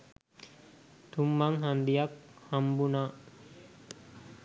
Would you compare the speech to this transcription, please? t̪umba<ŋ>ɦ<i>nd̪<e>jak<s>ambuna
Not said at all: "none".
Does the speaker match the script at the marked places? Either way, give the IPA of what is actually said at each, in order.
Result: ŋ, a, i, h

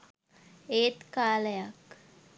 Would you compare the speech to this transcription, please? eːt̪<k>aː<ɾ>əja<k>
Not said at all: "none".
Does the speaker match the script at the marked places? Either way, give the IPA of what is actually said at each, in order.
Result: k, l, k

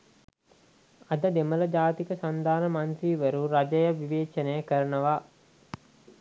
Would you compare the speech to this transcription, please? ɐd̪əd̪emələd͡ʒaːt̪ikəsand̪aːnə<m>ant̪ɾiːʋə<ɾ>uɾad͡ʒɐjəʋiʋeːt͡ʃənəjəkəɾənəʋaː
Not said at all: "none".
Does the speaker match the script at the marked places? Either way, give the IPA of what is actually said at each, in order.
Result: m, ɾ

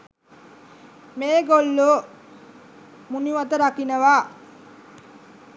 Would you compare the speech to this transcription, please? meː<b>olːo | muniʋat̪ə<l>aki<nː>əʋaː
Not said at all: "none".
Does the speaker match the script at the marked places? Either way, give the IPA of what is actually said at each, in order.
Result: ɡ, ɾ, n

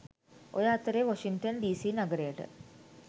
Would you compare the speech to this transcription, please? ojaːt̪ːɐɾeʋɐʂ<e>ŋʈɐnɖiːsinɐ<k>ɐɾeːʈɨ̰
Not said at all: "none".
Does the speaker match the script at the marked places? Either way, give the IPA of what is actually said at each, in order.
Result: i, ɡ

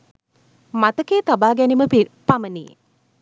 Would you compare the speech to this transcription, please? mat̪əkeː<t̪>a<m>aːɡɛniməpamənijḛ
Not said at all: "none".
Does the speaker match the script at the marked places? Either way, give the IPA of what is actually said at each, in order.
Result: t̪, b

